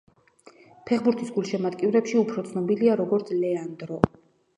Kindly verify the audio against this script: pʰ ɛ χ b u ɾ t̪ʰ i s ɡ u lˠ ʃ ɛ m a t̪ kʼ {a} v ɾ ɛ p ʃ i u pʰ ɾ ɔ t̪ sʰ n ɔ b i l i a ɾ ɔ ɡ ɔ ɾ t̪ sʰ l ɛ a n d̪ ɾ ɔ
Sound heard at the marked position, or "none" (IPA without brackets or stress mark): i